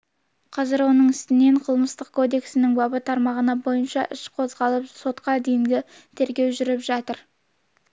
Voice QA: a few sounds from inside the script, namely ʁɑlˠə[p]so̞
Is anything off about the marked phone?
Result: no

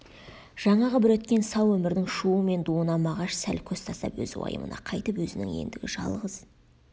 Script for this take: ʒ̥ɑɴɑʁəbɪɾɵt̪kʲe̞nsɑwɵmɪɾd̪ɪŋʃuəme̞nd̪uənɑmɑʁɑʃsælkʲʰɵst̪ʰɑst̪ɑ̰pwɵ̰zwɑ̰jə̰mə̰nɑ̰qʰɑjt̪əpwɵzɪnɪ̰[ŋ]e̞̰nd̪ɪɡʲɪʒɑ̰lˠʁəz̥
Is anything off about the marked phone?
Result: no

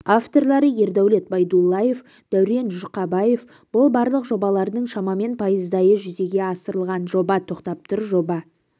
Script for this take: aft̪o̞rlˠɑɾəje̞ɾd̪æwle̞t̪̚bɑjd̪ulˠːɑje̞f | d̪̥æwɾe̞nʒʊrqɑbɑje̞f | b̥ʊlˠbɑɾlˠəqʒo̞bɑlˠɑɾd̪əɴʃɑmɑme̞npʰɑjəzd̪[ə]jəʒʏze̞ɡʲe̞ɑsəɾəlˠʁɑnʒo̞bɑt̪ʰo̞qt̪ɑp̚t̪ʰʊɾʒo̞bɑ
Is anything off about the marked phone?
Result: yes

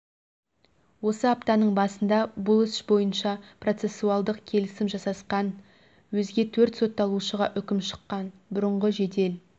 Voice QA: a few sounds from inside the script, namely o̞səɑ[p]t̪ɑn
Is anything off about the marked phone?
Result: no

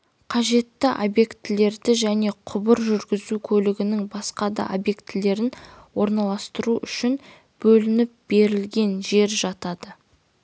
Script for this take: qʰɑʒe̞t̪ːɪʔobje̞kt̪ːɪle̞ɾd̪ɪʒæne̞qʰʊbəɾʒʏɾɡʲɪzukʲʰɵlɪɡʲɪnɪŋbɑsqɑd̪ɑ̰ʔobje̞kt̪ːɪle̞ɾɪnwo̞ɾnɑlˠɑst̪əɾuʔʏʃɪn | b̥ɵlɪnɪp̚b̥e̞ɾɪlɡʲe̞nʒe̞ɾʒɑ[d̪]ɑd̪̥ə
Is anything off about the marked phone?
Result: yes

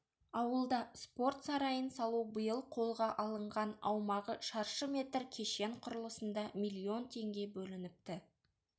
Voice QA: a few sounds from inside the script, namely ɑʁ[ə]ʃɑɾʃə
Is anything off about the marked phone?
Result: no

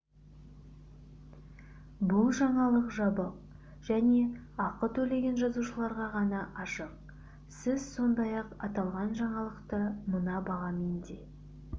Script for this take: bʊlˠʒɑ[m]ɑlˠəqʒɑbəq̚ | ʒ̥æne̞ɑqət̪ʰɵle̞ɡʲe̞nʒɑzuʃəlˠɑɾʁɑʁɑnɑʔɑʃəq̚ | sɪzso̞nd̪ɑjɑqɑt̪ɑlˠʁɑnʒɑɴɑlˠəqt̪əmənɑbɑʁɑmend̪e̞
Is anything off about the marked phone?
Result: yes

